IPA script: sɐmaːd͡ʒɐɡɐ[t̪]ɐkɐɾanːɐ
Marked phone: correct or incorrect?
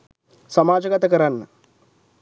correct